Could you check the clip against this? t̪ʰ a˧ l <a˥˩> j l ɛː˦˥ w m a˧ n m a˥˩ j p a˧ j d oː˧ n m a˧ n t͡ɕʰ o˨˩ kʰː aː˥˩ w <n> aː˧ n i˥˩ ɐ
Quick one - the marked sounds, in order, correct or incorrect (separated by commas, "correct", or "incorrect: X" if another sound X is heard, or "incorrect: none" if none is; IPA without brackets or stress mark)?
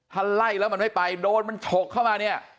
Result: correct, incorrect: m